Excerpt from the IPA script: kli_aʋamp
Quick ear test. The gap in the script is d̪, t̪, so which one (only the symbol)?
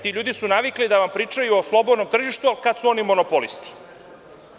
d̪